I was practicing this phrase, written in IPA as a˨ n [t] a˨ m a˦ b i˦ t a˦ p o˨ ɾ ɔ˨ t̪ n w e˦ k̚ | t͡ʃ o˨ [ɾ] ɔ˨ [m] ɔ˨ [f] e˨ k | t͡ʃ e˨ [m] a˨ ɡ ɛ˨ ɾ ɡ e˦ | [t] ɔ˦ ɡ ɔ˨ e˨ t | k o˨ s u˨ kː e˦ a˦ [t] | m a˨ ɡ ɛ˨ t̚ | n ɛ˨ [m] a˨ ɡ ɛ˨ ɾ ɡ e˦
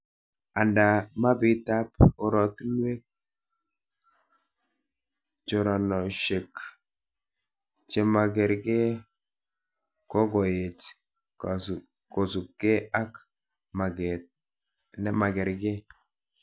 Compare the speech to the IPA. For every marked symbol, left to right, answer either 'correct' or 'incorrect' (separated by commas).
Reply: incorrect, correct, incorrect, incorrect, correct, incorrect, incorrect, correct